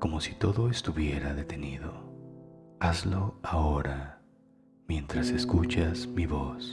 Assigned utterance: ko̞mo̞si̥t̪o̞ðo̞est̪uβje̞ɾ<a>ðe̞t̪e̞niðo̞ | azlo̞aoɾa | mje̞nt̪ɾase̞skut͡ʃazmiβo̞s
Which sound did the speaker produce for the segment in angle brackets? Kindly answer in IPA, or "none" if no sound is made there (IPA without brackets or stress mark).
a